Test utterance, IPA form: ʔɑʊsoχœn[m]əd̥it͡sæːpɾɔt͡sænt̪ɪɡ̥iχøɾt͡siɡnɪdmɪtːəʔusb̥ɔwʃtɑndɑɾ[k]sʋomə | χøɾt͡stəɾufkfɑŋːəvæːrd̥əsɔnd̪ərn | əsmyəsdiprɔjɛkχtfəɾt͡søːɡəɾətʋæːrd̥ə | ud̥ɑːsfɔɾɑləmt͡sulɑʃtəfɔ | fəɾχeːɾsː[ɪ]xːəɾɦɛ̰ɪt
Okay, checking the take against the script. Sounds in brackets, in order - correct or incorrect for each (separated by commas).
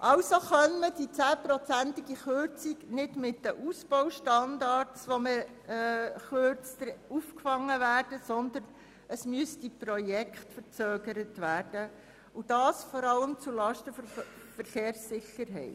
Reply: correct, incorrect, correct